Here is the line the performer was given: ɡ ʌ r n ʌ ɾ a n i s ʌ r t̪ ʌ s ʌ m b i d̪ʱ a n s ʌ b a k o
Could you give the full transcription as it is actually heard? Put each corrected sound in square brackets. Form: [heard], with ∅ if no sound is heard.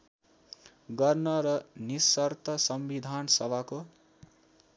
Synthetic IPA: ɡ ʌ r n ʌ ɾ [ʌ] n i s ʌ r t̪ ʌ s ʌ m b i d̪ʱ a n s ʌ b a k o